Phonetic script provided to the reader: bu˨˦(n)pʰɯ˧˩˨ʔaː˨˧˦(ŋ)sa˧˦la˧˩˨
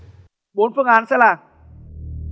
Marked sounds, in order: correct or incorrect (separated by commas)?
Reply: correct, incorrect